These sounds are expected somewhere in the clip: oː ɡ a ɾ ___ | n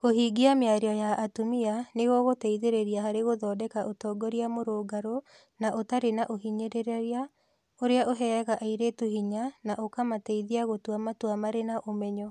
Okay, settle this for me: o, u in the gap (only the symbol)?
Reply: o